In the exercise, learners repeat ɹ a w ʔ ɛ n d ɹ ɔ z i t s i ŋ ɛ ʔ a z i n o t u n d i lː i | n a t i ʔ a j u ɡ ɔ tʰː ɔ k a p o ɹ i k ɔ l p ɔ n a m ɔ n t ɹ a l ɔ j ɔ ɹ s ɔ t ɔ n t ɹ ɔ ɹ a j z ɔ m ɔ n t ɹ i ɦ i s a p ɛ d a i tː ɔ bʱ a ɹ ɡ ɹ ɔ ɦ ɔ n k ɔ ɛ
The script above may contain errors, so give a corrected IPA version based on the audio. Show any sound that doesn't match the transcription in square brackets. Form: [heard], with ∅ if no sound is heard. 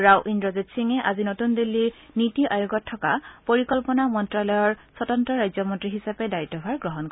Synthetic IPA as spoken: ɹ a w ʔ [i] n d ɹ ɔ z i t s i ŋ ɛ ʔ a z i n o t u n d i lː i | n [i] t i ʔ a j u ɡ ɔ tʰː ɔ k a p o ɹ i k ɔ l p ɔ n a m ɔ n t ɹ a l ɔ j ɔ ɹ s ɔ t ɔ n t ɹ ɔ ɹ a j z ɔ m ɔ n t ɹ i ɦ i s a p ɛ d a i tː ɔ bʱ a ɹ ɡ ɹ ɔ ɦ ɔ n k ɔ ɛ